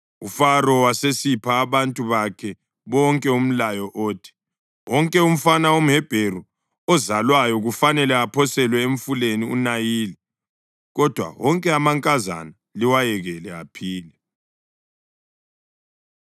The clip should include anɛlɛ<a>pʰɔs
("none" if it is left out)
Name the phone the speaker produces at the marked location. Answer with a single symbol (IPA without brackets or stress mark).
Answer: a